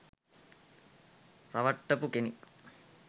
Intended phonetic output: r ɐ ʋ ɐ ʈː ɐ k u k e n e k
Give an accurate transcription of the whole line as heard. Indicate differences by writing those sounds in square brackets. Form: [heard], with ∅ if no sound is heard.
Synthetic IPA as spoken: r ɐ ʋ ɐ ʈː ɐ [p] u k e n [i] k